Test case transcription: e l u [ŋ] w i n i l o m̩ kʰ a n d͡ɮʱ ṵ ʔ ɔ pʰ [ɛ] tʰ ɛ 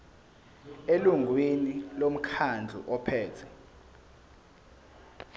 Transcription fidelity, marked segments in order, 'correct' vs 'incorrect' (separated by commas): correct, incorrect